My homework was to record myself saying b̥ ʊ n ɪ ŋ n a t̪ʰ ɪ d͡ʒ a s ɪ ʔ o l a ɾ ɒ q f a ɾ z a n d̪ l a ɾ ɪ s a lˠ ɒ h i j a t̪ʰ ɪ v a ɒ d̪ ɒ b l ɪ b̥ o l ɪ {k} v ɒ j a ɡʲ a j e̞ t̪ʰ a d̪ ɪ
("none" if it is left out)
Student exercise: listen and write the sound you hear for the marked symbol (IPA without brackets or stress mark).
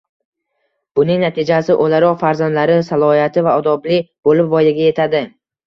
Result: p